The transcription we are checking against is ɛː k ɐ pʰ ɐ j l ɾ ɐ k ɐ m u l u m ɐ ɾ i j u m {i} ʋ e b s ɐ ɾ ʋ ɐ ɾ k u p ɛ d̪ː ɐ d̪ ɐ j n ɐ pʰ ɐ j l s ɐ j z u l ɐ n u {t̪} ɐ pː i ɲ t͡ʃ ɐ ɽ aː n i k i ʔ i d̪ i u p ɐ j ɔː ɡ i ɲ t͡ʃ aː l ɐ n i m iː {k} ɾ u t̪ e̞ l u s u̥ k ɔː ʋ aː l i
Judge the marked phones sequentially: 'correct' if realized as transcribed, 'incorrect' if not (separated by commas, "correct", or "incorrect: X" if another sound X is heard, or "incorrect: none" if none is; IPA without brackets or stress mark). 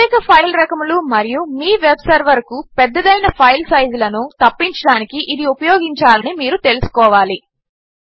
incorrect: iː, correct, incorrect: none